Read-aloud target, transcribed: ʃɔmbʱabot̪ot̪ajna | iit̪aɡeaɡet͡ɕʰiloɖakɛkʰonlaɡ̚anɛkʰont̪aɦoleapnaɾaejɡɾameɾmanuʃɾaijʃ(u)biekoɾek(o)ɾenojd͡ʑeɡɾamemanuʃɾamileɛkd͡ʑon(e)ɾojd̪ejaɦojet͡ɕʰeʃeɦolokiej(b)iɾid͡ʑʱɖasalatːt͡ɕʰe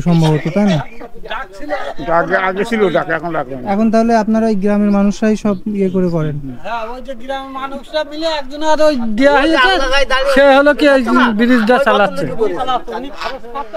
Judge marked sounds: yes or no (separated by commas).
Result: no, no, no, yes